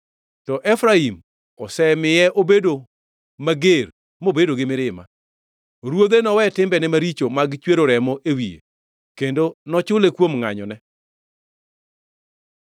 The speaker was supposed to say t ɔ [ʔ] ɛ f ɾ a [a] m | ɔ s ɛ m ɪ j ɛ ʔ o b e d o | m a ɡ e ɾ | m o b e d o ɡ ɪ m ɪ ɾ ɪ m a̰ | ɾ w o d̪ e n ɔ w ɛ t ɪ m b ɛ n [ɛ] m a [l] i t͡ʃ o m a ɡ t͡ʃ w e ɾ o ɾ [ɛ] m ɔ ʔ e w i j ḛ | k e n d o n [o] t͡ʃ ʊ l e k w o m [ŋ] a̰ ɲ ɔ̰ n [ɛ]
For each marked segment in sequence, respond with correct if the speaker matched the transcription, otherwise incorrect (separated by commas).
correct, incorrect, correct, incorrect, correct, incorrect, correct, correct